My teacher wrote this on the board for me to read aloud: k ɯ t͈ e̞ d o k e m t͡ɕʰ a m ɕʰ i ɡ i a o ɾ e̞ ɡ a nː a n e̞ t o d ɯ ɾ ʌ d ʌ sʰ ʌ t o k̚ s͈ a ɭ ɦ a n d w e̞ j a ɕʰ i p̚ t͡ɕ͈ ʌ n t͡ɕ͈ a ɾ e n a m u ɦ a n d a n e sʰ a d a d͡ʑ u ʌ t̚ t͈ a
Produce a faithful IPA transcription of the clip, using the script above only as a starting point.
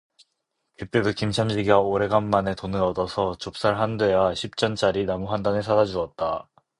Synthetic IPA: k ɯ t͈ e̞ d o k i m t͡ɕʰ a m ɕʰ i ɡ i a o ɾ e̞ ɡ a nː a n e̞ t o n ɯ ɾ ʌ d ʌ sʰ ʌ t͡ɕ o p̚ s͈ a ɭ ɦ a n d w e̞ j a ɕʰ i p̚ t͡ɕ͈ ʌ n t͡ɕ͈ a ɾ i n a m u ɦ a n d a n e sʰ a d a d͡ʑ u ʌ t̚ t͈ a

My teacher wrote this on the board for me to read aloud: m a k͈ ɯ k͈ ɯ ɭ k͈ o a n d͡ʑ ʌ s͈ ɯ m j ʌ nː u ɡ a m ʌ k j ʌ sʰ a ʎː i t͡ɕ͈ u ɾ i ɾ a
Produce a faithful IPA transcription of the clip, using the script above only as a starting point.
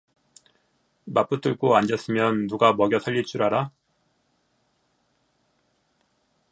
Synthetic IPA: m a p͈ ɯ t͈ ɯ ɭ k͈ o a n d͡ʑ ʌ s͈ ɯ m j ʌ nː u ɡ a m ʌ ɡ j ʌ sʰ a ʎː i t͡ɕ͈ u ɾ a ɾ a

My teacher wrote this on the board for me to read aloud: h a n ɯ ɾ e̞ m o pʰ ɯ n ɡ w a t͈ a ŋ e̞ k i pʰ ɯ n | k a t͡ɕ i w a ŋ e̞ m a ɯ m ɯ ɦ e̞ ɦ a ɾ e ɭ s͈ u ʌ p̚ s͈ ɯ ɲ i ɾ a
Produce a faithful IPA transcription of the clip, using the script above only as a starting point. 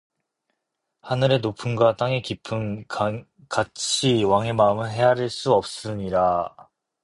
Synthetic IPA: h a n ɯ ɾ e̞ n o pʰ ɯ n ɡ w a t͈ a ŋ e̞ k i pʰ ɯ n | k a t͡ɕʰ i w a ŋ e̞ m a ɯ m ɯ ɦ e̞ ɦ a ɾ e ɭ s͈ u ʌ p̚ s͈ ɯ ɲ i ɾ a

